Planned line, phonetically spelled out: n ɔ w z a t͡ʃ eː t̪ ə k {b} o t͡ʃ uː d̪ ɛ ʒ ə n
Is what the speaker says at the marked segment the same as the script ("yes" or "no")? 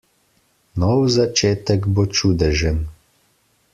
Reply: yes